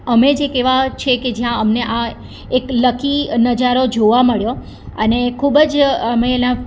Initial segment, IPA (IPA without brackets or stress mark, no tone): ə